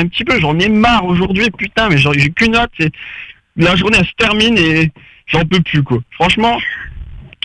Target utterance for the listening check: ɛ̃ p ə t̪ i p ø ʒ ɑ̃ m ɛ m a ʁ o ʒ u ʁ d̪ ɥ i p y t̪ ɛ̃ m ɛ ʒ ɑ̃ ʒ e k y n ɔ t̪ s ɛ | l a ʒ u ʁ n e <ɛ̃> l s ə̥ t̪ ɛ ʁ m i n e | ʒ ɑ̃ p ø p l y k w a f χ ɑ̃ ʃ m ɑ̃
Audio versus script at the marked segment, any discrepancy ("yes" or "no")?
yes